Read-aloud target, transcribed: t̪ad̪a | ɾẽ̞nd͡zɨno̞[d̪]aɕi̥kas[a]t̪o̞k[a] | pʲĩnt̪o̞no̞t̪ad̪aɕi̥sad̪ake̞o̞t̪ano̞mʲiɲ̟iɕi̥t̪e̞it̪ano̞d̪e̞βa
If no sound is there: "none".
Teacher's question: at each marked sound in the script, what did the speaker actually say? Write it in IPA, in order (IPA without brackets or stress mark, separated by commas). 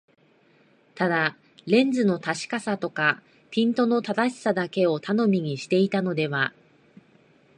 t̪, a, a